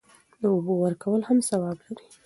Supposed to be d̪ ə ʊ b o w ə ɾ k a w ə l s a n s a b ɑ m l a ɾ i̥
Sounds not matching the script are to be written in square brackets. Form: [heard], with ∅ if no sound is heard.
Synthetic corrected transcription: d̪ ə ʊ b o w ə ɾ k a w ə l [h] a [m] s a [w] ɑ [b] l a ɾ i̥